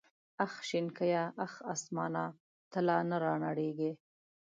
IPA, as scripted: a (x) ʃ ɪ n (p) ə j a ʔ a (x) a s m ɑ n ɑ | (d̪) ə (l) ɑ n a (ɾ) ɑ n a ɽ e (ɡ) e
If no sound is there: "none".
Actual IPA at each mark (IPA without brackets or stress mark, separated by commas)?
x, k, x, t̪, l, ɾ, ɡ